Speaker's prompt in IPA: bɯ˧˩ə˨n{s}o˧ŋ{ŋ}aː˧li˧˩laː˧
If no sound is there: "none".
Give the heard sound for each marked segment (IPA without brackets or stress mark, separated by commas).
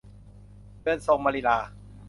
s, m